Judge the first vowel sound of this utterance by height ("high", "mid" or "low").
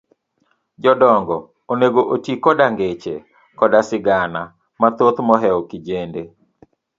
mid